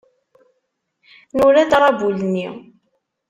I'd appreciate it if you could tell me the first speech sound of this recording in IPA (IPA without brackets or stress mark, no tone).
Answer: n